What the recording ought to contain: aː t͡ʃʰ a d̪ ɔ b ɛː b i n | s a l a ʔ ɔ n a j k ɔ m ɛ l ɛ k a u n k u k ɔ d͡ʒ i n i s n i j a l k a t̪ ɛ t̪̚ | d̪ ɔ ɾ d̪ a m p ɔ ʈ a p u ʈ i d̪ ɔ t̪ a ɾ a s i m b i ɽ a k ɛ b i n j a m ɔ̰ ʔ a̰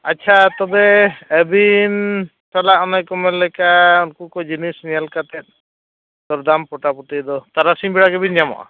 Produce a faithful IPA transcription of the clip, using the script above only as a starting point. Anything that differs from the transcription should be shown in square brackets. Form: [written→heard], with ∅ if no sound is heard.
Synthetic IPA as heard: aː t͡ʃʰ a [d̪→t̪] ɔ b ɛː b i n | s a l a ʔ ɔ n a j k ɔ m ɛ l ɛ k a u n k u k ɔ d͡ʒ i n i s n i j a l k a t̪ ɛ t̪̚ | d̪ ɔ ɾ d̪ a m p ɔ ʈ a p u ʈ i d̪ ɔ t̪ a ɾ a s i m b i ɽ a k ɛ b i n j a m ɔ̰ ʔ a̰